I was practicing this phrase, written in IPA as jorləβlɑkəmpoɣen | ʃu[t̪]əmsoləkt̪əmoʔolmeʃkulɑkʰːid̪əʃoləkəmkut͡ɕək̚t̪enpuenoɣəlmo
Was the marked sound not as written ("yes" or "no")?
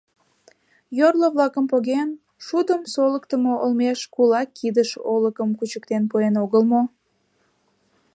yes